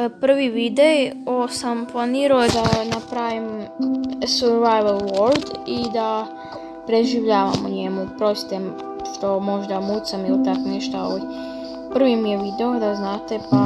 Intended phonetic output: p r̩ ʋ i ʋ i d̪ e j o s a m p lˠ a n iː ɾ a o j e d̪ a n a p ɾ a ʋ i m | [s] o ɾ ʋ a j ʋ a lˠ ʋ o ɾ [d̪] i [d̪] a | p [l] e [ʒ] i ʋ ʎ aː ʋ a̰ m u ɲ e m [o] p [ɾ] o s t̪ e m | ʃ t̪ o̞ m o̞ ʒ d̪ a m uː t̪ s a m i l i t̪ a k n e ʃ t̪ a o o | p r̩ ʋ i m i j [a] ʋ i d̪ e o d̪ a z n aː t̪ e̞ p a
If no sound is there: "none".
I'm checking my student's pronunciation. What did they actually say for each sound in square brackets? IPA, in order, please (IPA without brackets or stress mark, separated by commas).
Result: s, d̪, d̪, ɾ, ʒ, u, ɾ, e